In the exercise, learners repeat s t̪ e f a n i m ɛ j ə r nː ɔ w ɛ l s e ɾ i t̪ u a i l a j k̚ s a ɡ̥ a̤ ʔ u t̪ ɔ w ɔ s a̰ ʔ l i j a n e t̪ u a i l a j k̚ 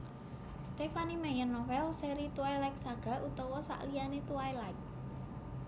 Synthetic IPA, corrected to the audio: s t̪ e f a n i m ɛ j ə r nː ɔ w ɛ l s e ɾ i t̪ u a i l a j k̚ s a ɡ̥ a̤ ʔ u t̪ ɔ w ɔ s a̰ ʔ l i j a n e t̪ u a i l a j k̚